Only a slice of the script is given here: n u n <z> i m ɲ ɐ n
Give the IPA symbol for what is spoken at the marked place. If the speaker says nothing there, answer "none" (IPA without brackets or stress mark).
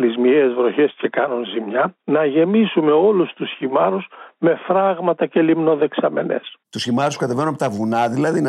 z